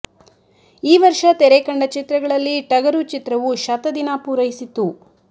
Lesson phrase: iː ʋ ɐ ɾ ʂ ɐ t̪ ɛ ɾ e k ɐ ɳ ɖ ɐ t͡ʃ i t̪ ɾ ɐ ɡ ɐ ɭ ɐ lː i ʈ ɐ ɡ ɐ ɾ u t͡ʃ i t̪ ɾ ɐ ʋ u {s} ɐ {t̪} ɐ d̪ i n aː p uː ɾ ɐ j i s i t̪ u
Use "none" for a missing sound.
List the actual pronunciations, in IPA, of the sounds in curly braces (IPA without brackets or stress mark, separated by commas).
ʃ, t̪